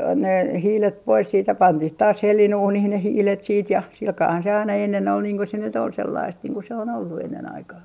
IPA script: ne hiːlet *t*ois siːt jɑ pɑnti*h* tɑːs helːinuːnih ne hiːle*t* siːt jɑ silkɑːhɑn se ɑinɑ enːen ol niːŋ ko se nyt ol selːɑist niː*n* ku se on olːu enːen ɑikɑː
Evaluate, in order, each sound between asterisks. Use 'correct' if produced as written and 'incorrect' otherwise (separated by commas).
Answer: incorrect, correct, correct, incorrect